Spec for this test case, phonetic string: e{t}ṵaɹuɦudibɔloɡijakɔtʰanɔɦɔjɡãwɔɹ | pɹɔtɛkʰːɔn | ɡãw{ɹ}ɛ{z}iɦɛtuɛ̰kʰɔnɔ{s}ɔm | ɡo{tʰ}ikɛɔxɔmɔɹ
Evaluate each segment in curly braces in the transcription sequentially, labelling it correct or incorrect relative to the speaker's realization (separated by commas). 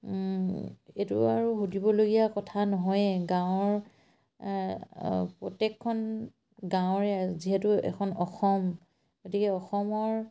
correct, correct, correct, incorrect, incorrect